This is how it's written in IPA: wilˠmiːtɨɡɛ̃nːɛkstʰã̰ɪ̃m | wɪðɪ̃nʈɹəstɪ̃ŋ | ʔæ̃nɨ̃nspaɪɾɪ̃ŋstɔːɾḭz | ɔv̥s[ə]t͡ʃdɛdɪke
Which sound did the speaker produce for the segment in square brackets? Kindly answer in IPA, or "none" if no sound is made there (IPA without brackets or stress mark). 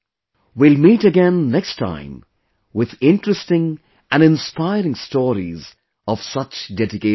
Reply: ʌ